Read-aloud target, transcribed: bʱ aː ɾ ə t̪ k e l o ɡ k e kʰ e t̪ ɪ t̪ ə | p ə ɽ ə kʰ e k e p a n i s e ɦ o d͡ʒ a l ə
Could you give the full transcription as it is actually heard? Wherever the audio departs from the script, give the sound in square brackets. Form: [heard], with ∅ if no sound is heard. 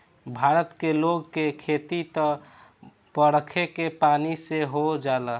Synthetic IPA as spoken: bʱ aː ɾ ə t̪ k e l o ɡ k e kʰ e t̪ [i] t̪ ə | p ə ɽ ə kʰ e k e p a n i s e ɦ o d͡ʒ a l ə